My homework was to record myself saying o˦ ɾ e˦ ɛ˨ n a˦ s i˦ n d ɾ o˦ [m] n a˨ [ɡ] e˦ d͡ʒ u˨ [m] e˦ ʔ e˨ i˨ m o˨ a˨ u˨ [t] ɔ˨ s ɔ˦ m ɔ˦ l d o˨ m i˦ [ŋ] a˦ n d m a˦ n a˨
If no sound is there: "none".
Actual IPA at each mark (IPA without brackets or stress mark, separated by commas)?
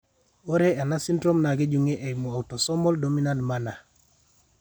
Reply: m, ɡ, ŋ, t, n